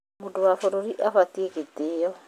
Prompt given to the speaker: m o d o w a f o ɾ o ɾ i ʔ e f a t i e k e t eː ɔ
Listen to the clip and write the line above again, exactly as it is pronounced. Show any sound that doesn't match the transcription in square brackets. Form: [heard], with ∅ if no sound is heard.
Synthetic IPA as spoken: m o d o w a f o ɾ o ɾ i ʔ [a] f a t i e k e t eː ɔ